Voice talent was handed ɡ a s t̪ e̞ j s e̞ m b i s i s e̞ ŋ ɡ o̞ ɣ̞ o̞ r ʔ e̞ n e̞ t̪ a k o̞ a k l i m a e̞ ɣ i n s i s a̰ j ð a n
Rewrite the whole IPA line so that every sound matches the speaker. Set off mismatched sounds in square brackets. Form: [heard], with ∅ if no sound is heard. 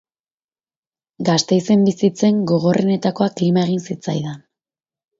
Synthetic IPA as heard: ɡ a s t̪ e̞ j s e̞ m b i s i [t͡s] e̞ ŋ ɡ o̞ ɣ̞ o̞ r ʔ e̞ n e̞ t̪ a k o̞ a k l i m a e̞ ɣ i n s i [t͡s] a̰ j ð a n